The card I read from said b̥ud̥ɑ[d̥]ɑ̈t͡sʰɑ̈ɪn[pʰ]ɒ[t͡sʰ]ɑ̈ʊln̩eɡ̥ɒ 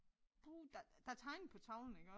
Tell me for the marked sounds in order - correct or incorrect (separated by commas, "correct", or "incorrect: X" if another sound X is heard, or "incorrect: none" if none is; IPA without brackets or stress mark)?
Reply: correct, correct, correct